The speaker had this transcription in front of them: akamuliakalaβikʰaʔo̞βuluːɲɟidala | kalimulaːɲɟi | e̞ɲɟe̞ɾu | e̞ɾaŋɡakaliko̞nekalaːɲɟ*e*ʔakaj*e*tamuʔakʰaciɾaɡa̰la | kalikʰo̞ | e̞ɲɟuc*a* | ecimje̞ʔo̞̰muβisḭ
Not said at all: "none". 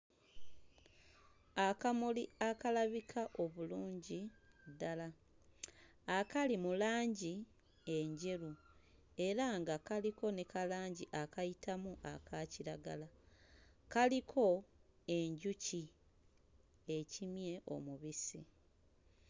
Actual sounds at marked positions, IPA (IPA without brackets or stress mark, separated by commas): i, i, i